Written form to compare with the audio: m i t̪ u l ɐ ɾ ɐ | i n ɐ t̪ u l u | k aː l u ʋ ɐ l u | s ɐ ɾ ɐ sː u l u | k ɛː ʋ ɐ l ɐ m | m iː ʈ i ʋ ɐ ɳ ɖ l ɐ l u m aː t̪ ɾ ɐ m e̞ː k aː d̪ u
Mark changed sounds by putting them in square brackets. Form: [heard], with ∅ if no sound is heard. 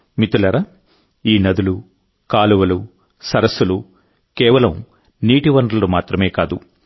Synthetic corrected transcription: m i t̪ u l ɐ ɾ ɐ | [iː] n ɐ [d̪] u l u | k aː l u ʋ ɐ l u | s ɐ ɾ ɐ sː u l u | k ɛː ʋ ɐ l ɐ m | [n] iː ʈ i ʋ ɐ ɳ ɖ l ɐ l u m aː t̪ ɾ ɐ m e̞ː k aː d̪ u